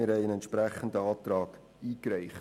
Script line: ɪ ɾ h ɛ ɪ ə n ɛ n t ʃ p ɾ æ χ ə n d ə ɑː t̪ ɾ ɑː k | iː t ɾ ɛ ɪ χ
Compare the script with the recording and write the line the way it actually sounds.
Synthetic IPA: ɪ ɾ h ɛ ɪ ə n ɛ n t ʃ p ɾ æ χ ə n d ə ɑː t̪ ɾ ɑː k | iː k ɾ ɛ ɪ χ